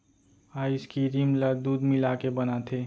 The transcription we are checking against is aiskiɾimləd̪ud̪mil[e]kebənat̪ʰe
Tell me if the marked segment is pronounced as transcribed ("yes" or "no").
no